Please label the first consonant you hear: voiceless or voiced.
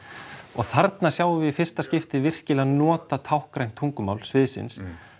voiced